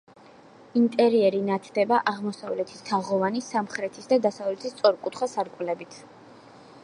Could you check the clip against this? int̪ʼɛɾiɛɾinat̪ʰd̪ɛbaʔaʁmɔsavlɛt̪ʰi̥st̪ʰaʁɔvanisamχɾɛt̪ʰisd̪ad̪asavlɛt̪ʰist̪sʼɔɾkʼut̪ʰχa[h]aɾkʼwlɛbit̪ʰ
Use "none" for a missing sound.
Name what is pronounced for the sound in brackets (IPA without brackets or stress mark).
s